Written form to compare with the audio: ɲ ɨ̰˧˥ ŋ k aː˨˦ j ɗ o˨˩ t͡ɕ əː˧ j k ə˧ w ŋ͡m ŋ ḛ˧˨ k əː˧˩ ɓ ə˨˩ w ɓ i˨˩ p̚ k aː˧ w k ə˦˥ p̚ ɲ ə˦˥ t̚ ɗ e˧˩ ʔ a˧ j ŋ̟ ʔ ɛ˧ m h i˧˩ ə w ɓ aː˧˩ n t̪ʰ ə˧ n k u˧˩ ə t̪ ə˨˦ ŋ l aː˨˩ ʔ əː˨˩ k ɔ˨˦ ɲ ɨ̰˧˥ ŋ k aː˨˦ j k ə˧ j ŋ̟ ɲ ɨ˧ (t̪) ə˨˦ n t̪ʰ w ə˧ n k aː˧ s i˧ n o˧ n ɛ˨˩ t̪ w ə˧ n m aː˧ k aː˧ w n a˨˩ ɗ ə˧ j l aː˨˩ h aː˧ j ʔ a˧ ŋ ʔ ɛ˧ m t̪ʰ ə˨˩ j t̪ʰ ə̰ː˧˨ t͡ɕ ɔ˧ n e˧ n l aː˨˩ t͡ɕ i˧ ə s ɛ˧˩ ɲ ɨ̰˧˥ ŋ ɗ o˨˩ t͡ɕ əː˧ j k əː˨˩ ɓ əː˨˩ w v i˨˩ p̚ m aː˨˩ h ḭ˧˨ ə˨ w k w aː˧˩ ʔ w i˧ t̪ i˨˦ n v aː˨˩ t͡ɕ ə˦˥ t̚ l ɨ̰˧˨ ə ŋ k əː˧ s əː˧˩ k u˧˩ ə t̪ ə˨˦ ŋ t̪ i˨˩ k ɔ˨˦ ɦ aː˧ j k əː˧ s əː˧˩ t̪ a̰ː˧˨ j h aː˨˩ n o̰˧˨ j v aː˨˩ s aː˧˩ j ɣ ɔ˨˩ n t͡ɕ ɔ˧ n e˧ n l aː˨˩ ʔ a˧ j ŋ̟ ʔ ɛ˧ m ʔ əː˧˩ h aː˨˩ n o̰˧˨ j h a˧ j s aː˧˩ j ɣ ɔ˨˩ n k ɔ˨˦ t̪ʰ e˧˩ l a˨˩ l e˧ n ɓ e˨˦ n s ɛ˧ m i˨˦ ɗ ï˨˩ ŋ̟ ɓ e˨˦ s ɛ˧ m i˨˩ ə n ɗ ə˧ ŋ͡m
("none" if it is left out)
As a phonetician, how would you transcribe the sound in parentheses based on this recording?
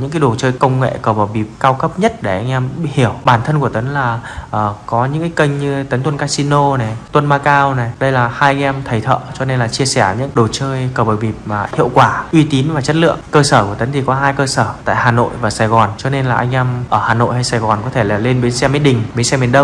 t̪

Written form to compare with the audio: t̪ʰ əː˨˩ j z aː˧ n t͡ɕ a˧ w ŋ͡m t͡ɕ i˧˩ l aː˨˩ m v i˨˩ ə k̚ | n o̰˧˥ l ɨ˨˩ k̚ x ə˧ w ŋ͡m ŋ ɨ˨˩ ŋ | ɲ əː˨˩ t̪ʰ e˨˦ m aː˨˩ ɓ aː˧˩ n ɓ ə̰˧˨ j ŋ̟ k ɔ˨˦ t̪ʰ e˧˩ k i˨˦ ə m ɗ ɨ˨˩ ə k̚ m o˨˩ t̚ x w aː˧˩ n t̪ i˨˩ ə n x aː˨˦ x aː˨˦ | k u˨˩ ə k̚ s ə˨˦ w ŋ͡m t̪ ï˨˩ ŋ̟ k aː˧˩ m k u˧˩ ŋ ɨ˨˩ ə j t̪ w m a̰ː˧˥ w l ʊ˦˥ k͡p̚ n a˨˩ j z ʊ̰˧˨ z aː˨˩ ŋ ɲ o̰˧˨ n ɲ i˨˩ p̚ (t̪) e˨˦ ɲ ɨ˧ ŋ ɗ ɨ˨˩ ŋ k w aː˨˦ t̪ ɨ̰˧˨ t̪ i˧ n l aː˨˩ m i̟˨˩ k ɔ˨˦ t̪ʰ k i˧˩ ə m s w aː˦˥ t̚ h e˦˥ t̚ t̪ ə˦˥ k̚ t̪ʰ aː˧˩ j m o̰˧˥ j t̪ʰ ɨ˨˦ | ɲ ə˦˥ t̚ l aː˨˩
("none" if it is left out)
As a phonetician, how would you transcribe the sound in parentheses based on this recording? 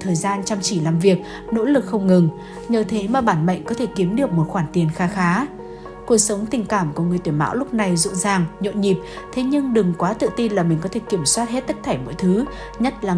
t̪ʰ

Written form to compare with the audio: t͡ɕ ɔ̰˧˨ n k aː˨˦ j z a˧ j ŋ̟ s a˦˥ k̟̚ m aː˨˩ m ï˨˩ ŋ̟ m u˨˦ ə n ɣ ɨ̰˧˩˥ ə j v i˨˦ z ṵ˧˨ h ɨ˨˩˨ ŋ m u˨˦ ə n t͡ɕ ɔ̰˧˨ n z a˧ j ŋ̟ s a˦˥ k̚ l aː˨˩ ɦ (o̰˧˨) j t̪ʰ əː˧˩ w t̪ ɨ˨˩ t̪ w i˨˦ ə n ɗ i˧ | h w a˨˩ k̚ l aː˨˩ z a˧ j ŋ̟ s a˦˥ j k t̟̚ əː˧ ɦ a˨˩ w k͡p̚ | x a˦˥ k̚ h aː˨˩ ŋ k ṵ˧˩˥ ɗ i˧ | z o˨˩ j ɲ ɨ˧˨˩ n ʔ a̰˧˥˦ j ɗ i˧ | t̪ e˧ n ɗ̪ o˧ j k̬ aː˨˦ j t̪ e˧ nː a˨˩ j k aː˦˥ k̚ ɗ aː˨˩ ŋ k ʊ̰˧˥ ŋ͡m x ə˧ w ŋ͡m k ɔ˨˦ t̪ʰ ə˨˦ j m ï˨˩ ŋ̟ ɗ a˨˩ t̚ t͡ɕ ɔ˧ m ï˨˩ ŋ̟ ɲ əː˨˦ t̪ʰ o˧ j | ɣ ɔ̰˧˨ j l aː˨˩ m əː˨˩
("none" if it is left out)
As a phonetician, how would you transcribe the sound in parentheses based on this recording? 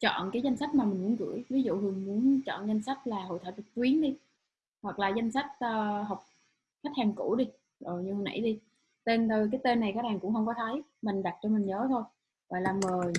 o̰˧˨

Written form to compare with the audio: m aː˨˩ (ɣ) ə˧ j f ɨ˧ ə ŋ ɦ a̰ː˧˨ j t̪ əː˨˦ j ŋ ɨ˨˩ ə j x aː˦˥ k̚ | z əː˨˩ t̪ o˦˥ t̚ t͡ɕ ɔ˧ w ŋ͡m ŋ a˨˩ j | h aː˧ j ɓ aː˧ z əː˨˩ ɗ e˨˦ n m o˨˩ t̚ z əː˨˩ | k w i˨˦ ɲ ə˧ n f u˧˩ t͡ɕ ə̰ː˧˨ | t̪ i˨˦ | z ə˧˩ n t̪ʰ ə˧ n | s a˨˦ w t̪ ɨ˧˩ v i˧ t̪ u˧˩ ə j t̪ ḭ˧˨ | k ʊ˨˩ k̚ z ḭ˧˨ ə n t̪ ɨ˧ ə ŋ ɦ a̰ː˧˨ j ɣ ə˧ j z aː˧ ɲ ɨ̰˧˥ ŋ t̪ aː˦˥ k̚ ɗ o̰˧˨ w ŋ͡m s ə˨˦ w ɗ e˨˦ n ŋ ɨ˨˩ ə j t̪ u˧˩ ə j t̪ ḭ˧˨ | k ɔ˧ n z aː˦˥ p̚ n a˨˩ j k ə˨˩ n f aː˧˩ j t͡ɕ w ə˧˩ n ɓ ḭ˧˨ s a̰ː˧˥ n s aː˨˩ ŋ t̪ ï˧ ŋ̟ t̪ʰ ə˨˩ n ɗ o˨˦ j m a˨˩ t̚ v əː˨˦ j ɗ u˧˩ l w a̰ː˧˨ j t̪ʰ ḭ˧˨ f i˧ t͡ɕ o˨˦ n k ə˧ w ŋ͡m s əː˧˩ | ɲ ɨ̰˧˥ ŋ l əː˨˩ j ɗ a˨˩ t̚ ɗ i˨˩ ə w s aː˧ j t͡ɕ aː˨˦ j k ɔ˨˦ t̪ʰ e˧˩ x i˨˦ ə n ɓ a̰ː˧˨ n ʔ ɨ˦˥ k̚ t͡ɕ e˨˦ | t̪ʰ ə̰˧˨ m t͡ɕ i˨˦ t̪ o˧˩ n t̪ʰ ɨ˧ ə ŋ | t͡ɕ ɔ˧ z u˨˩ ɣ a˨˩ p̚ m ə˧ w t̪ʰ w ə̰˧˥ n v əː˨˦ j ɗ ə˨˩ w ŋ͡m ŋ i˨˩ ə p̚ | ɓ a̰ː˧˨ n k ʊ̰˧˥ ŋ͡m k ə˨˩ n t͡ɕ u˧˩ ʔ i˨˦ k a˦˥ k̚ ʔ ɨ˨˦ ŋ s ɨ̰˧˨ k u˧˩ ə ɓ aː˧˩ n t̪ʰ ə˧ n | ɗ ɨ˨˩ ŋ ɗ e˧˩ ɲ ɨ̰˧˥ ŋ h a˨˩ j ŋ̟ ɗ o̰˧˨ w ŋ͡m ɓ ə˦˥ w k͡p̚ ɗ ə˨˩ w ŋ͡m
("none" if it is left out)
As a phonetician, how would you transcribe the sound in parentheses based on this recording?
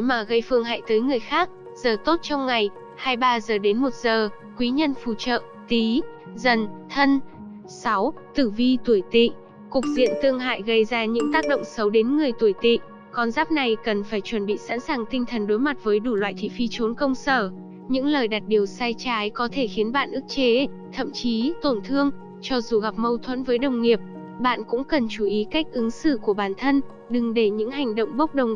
ɣ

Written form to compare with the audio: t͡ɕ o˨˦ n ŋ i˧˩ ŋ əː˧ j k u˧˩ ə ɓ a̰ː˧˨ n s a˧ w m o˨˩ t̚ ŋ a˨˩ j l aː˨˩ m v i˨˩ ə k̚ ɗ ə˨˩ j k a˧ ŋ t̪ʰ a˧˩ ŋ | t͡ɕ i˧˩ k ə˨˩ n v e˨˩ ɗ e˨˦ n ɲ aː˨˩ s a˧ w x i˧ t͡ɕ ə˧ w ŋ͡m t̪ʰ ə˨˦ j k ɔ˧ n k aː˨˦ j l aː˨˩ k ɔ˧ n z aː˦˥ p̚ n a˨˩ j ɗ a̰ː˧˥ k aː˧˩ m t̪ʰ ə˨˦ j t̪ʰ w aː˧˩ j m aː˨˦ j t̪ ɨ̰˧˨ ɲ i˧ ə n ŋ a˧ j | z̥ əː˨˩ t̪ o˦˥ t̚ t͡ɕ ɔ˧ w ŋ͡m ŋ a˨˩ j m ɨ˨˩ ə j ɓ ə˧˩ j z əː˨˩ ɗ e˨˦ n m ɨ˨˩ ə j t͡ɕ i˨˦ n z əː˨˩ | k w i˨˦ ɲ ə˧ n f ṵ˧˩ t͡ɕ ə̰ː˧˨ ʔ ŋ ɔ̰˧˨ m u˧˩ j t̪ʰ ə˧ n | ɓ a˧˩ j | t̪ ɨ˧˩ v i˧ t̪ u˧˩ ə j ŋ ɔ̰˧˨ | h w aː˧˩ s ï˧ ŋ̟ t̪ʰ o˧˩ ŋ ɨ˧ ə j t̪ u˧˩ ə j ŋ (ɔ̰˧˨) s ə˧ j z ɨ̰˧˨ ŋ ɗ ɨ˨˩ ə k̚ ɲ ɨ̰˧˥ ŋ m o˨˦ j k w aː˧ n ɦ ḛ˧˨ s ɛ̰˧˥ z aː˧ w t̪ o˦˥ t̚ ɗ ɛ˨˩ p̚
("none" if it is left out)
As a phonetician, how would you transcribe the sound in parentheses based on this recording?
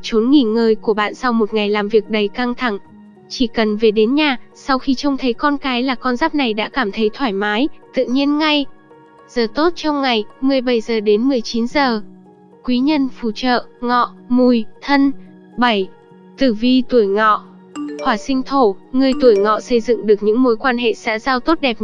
ɔ̰˧˨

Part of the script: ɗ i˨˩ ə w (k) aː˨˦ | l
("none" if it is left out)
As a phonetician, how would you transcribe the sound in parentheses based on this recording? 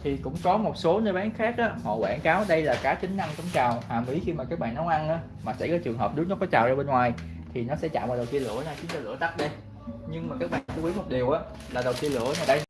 ʔ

